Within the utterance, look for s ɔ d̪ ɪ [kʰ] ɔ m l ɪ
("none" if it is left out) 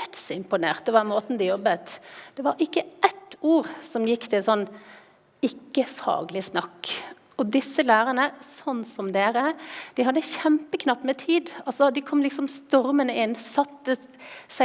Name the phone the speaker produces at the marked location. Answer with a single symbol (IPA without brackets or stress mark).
kʰ